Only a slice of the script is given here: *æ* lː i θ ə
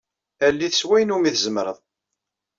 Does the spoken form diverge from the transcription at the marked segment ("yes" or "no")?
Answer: no